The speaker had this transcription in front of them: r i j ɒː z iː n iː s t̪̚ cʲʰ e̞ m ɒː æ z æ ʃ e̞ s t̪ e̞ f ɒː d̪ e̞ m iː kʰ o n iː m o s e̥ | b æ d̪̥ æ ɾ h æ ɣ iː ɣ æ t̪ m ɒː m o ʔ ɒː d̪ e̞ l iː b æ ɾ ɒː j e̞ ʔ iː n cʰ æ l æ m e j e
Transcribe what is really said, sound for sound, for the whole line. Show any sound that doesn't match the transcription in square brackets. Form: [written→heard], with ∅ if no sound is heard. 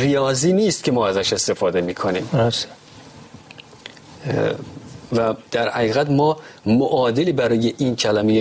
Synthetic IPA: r i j ɒː z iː n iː s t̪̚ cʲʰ e̞ m ɒː æ z æ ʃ e̞ s t̪ e̞ f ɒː d̪ e̞ m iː kʰ o n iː m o s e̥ | [b→v] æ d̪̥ æ ɾ h æ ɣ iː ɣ æ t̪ m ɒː m o ʔ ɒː d̪ e̞ l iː b æ ɾ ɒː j e̞ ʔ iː n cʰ æ l æ m e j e